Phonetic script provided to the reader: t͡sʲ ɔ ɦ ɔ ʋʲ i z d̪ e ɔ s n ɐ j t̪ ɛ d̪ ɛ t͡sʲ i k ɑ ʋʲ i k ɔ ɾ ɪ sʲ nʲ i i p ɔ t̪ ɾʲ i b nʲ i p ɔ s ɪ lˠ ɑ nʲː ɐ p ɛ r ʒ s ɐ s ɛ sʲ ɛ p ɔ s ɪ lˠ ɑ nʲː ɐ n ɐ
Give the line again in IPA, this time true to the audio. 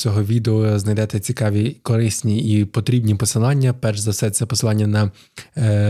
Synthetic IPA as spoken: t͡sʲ ɔ ɦ ɔ ʋʲ i d̪ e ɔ z n ɐ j d̪ ɛ t̪ ɛ t͡sʲ i k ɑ ʋʲ i k ɔ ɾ ɪ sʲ nʲ i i p ɔ t̪ ɾʲ i b nʲ i p ɔ s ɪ lˠ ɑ nʲː ɐ p ɛ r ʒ z ɐ s ɛ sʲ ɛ p ɔ s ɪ lˠ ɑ nʲː ɐ n ɐ